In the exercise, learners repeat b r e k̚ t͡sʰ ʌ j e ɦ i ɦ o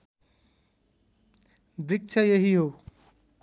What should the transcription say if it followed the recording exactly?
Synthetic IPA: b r i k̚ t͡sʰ ʌ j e ɦ i ɦ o